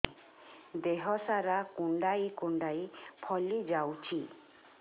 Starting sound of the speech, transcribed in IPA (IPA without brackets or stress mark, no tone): d̪